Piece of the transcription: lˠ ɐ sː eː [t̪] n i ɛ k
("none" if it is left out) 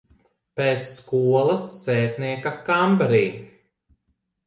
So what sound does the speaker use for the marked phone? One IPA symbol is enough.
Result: t̪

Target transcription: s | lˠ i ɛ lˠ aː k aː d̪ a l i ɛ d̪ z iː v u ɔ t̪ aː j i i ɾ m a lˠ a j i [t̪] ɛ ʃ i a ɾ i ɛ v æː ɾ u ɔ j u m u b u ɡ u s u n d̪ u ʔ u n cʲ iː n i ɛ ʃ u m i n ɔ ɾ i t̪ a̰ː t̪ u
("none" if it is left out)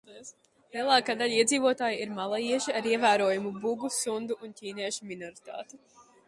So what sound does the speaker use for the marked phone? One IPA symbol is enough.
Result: none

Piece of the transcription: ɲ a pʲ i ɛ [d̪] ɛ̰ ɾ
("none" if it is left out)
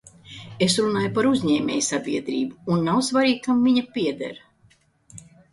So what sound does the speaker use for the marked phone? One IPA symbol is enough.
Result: d̪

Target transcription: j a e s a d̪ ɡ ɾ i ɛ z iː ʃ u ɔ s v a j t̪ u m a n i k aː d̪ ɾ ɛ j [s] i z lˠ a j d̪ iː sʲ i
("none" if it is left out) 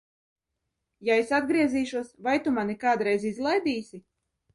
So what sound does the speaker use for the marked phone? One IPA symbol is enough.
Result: z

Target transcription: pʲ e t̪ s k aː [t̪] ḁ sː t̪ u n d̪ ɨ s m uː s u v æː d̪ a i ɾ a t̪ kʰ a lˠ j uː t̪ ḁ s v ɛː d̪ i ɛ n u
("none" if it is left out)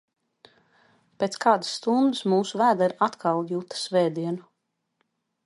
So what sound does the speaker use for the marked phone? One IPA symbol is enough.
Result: d̪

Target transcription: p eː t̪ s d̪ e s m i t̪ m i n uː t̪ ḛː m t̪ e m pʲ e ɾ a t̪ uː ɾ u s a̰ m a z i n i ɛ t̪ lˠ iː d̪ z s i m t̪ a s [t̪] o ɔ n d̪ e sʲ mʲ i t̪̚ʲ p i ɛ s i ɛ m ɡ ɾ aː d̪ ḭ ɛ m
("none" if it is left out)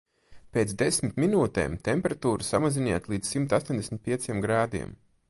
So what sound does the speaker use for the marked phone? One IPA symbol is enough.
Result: t̪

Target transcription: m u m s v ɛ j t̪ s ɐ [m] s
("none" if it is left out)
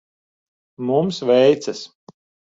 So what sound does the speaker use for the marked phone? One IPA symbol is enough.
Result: none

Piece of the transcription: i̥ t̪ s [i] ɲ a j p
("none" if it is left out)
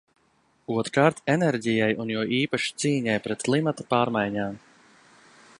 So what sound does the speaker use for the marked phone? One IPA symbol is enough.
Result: iː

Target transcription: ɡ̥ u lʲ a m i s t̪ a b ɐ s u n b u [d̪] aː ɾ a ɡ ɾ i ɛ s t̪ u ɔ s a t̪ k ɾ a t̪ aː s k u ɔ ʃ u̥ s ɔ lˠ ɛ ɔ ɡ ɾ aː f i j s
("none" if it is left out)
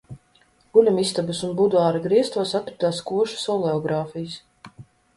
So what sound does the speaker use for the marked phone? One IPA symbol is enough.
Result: d̪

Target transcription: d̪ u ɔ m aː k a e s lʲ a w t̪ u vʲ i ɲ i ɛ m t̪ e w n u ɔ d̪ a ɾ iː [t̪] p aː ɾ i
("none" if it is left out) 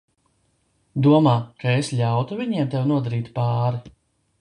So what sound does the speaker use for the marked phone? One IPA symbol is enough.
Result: t̪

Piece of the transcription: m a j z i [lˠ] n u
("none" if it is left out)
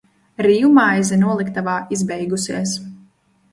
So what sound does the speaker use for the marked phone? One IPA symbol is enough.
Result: none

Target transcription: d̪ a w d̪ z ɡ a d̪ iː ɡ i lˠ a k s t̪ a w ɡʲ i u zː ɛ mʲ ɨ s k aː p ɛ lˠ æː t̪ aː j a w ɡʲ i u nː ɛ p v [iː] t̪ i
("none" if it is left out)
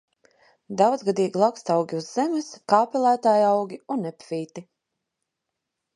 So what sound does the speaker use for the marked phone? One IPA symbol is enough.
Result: iː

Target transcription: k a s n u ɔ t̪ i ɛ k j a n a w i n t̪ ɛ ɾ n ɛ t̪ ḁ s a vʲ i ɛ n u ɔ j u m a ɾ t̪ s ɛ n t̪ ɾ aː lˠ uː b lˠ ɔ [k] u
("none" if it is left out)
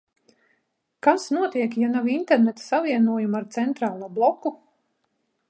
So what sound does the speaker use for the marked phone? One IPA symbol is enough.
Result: k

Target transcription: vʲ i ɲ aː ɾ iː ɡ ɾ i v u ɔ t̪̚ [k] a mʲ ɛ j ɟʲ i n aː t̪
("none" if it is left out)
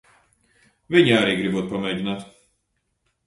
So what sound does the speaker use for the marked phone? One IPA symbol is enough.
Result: p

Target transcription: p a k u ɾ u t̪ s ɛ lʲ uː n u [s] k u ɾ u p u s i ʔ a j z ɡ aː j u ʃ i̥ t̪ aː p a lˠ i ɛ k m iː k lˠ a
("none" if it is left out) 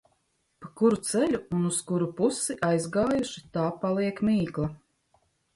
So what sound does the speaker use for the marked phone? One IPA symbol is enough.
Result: s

